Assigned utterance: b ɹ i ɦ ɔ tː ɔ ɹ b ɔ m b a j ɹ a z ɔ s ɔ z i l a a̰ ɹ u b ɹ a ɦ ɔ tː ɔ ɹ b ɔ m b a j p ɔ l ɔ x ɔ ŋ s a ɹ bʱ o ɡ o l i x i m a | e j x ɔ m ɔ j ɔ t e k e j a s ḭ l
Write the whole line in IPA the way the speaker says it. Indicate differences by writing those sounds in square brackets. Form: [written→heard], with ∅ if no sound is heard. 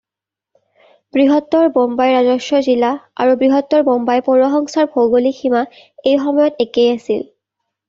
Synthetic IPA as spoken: b ɹ i ɦ ɔ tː ɔ ɹ b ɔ m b a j ɹ a z ɔ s ɔ z i l a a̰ ɹ u b ɹ [a→i] ɦ ɔ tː ɔ ɹ b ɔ m b a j p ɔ [l→ɹ] ɔ x ɔ ŋ s a ɹ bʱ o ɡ o l i x i m a | e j x ɔ m ɔ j ɔ t e k e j a s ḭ l